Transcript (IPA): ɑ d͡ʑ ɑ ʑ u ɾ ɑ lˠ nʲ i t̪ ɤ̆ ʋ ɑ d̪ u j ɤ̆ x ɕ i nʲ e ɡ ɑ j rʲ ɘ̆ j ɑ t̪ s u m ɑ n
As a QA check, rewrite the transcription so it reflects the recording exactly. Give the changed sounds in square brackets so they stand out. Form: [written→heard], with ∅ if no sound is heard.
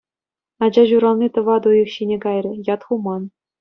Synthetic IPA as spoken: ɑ d͡ʑ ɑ ʑ u ɾ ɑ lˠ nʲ i t̪ ɤ̆ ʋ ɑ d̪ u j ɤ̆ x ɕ i nʲ e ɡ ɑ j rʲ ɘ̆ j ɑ t̪ [s→χ] u m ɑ n